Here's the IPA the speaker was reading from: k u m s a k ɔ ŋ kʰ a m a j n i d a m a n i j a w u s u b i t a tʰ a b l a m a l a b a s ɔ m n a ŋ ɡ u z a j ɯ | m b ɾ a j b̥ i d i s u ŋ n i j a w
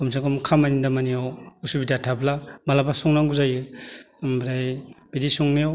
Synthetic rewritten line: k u m s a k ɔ m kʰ a m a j n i d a m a n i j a w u s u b i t a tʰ a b l a m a l a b a s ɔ ŋ n a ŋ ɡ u z a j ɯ | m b ɾ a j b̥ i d i s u ŋ n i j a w